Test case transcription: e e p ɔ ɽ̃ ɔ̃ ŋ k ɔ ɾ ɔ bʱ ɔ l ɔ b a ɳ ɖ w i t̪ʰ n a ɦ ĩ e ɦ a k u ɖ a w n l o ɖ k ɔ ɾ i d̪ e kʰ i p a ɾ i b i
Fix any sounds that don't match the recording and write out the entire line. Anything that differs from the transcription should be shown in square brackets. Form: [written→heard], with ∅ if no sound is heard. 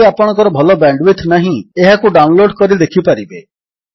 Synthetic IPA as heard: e [e→a] p ɔ ɽ̃ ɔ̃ ŋ k ɔ ɾ ɔ bʱ ɔ l ɔ b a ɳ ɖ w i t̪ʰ n a ɦ ĩ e ɦ a k u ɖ a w n l o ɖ k ɔ ɾ i d̪ e kʰ i p a ɾ i b [i→e]